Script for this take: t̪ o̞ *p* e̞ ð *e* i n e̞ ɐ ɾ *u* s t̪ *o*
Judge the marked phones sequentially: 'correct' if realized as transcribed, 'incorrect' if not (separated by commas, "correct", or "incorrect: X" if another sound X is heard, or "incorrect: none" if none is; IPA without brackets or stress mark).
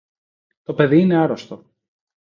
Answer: correct, incorrect: i, incorrect: o, correct